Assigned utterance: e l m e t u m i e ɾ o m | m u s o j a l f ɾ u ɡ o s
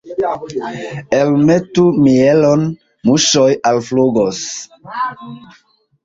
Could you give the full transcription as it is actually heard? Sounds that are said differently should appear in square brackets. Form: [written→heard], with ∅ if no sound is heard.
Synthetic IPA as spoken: e l m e t u m i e [ɾ→l] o [m→n] | m u [s→ʃ] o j a l f [ɾ→l] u ɡ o s